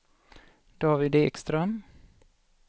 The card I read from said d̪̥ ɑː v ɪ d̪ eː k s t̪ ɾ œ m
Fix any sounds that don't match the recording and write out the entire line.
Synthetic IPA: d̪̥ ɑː v ɪ d̪ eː k s t̪ ɾ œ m